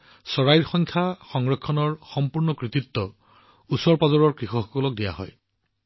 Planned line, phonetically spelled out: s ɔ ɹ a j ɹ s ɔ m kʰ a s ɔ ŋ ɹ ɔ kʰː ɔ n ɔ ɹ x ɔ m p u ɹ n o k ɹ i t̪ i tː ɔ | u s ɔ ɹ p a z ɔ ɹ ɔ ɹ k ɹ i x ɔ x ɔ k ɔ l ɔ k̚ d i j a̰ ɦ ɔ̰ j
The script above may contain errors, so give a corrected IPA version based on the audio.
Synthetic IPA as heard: s ɔ ɹ a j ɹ x ɔ ŋ kʰ a x ɔ ŋ ɹ ɔ kʰː ɔ n ɔ ɹ x ɔ m p u ɹ n ɔ k ɹ i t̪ i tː ɔ | u s ɔ ɹ p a z ɔ ɹ ɔ ɹ k ɹ i x ɔ x ɔ k ɔ l ɔ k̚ d i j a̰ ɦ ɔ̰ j